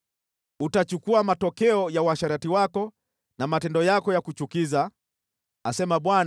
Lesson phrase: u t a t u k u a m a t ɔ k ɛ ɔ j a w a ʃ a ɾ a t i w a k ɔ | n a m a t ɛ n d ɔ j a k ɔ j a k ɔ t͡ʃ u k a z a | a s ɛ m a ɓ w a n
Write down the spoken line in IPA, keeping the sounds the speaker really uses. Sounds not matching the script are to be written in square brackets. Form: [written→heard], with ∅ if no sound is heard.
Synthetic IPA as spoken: u t a [t→t͡ʃ] u k u a m a t ɔ k ɛ ɔ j a w a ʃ a ɾ a t i w a k ɔ | n a m a t ɛ n d ɔ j a k ɔ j a k [ɔ→u] t͡ʃ u k [a→i] z a | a s ɛ m a ɓ w a n